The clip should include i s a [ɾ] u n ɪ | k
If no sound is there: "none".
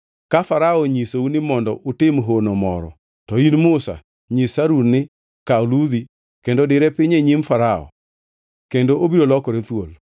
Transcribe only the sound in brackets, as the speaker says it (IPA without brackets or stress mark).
ɾ